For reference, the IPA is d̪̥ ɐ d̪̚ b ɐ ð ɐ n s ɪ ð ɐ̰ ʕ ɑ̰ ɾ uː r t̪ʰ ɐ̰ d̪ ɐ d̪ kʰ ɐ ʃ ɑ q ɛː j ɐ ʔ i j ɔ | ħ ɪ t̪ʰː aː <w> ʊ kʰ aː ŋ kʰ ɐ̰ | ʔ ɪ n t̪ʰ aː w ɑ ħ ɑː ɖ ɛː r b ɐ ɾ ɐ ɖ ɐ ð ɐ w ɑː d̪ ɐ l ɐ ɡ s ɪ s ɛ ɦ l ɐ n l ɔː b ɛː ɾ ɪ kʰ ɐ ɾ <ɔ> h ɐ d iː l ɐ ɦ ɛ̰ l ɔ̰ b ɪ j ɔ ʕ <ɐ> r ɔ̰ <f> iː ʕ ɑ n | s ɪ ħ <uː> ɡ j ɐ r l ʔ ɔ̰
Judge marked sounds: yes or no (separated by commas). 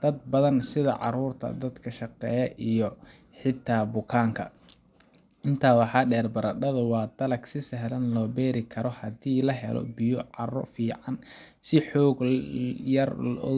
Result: no, yes, no, yes, no